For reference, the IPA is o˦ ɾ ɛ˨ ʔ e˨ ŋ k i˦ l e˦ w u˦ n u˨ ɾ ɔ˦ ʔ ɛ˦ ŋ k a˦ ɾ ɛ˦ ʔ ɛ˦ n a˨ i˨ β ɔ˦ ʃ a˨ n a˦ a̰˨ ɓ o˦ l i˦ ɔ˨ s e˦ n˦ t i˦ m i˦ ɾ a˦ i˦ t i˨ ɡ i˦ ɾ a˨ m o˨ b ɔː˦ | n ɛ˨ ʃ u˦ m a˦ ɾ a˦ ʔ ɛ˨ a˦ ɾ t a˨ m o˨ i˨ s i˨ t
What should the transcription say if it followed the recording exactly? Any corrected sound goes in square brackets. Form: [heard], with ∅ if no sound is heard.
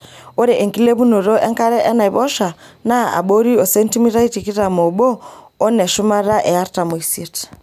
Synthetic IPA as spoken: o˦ ɾ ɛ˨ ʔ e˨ ŋ k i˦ l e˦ [β] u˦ n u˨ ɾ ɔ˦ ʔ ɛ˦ ŋ k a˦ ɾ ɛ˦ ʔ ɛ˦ n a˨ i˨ β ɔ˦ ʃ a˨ n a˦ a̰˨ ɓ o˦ [ɾ] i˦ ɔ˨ s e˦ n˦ t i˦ m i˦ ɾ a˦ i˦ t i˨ [k] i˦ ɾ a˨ m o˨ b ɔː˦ | n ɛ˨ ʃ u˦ m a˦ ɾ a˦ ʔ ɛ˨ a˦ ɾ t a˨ m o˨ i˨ s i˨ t